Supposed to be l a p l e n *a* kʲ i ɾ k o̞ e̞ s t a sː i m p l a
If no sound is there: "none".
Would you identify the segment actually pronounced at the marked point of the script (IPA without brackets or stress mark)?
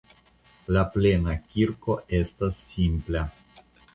a